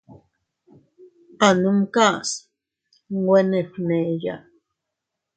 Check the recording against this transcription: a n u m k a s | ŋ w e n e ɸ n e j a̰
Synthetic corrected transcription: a n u m k a s | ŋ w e n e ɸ n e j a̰